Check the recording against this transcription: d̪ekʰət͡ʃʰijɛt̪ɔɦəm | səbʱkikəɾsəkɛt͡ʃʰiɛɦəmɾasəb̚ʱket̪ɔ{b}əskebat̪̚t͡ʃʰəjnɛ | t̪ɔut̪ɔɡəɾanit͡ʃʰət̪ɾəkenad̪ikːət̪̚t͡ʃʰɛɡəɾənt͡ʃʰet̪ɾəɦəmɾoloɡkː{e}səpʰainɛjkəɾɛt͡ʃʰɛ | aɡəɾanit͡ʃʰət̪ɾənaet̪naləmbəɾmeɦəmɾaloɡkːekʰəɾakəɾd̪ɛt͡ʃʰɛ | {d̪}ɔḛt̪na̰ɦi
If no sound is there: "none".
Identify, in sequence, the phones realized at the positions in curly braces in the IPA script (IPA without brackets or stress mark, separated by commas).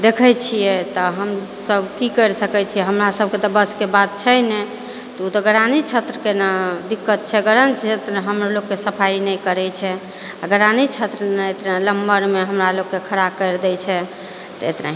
b, e, t̪